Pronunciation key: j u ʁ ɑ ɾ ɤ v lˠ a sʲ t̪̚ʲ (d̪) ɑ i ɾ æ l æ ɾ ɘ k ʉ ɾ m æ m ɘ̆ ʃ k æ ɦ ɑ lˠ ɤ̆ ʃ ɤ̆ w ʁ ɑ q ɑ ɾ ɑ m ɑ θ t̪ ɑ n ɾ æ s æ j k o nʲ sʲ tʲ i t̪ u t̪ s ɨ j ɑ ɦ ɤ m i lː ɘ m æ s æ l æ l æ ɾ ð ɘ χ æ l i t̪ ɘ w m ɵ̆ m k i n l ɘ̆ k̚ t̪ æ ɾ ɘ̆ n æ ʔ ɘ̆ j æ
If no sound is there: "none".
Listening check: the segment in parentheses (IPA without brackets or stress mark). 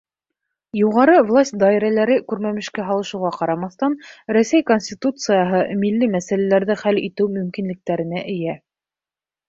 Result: d̪